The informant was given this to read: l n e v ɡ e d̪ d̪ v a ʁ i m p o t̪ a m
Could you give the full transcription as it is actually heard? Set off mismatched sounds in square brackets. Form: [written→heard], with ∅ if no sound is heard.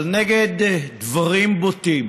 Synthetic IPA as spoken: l n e [v→∅] ɡ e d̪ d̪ v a ʁ i m [p→b] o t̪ [a→i] m